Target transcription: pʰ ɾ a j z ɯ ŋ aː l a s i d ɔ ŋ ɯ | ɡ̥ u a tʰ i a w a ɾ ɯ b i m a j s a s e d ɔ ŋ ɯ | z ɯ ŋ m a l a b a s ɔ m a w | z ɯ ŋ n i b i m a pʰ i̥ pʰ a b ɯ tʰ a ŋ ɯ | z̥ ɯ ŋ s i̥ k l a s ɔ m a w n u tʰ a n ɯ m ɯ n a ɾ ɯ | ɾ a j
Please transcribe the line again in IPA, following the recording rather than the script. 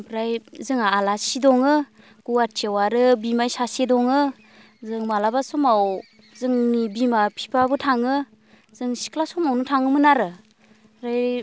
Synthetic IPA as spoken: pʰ ɾ a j z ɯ ŋ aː l a s i d ɔ ŋ ɯ | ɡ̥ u a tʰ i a w a ɾ ɯ b i m a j s a s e d ɔ ŋ ɯ | z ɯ ŋ m a l a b a s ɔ m a w | z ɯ ŋ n i b i m a pʰ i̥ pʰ a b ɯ tʰ a ŋ ɯ | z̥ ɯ ŋ s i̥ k l a s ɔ m a w n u tʰ a ŋ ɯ m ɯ n a ɾ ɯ | ɾ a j